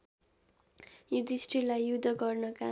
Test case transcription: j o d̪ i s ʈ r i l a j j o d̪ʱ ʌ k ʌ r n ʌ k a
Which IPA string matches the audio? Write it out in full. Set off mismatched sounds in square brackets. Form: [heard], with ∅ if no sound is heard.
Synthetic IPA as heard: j [u] d̪ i s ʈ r i l a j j [u] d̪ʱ ʌ [ɡ] ʌ r n ʌ k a